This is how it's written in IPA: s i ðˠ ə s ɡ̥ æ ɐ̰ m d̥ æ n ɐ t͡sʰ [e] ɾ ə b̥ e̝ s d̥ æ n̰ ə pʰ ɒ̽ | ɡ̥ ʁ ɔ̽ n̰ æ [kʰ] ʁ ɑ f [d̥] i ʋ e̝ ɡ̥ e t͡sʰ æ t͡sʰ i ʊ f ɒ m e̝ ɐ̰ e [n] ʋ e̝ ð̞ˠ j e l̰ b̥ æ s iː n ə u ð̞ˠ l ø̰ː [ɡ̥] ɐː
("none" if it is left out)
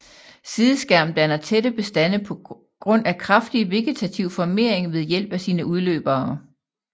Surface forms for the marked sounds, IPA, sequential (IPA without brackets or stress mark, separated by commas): e, kʰ, d̥, ŋ, b̥